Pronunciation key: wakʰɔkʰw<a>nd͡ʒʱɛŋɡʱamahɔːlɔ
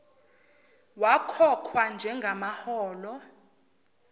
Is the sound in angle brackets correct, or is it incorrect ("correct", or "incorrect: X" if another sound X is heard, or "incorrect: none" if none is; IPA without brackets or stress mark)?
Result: correct